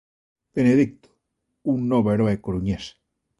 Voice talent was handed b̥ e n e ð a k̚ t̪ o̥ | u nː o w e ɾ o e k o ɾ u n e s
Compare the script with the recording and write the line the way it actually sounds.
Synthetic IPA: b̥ e n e ð i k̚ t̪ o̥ | u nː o β e ɾ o e k o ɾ u ɲ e s